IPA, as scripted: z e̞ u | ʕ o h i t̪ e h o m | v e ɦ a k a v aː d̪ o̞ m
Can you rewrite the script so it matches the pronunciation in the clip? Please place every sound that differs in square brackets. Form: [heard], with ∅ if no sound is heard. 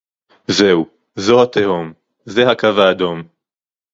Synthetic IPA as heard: z e̞ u | [z] o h [a] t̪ e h o m | [z] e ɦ a k a v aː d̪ o̞ m